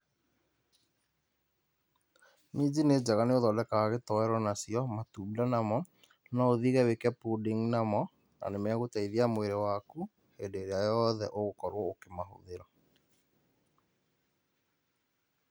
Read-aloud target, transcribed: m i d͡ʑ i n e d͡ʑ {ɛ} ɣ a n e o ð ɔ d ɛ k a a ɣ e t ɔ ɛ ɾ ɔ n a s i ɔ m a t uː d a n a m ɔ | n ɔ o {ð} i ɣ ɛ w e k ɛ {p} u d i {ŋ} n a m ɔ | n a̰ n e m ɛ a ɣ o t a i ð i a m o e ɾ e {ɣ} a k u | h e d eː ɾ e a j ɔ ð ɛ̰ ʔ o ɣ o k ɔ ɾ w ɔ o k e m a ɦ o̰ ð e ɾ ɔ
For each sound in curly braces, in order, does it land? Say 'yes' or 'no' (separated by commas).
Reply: no, yes, yes, yes, no